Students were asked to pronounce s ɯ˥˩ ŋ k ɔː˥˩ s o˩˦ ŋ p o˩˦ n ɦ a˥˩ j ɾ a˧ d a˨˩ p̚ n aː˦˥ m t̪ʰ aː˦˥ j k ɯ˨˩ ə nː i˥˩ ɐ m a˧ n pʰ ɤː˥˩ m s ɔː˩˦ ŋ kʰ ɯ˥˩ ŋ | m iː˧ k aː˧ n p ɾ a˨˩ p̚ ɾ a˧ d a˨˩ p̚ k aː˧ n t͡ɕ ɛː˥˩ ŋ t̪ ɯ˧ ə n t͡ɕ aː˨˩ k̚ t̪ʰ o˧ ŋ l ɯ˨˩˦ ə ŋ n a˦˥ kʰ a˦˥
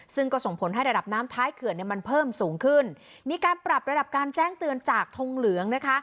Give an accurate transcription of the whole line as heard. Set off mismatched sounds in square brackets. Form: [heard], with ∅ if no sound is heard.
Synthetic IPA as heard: s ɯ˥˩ ŋ k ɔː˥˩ s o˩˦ ŋ [pʰ] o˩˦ n ɦ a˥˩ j ɾ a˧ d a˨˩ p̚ n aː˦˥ m t̪ʰ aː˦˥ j [kʰ] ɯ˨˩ ə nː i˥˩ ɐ m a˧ n pʰ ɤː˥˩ m s [uː˩˦] ŋ kʰ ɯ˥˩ [n] | m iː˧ k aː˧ n p ɾ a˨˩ p̚ ɾ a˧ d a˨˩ p̚ k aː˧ n t͡ɕ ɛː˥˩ ŋ t̪ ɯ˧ ə n t͡ɕ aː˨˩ k̚ t̪ʰ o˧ ŋ l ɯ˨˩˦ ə ŋ n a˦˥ kʰ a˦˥